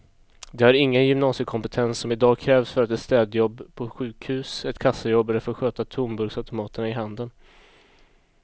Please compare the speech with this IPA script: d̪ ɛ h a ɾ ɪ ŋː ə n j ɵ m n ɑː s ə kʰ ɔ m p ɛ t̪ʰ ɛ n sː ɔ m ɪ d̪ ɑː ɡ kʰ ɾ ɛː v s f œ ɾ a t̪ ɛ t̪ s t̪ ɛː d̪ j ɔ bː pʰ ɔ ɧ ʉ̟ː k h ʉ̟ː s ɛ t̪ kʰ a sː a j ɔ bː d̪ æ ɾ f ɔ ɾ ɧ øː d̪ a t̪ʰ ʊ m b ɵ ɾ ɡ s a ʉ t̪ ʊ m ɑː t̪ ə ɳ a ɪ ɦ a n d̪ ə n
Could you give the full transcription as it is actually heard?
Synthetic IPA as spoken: d̪ ɛ h a ɾ ɪ ŋː ə n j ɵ m n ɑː s ə kʰ ɔ m p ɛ t̪ʰ ɛ n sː ɔ m ɪ d̪ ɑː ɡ kʰ ɾ ɛː v s f œ ɾ a t̪ ɛ t̪ s t̪ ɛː d̪ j ɔ bː pʰ ɔ ɧ ʉ̟ː k h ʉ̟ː s ɛ t̪ kʰ a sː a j ɔ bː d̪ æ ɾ f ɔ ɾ ɧ øː t̪ a t̪ʰ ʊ m b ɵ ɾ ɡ s a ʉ t̪ ʊ m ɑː t̪ ə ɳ a ɪ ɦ a n d̪ ə n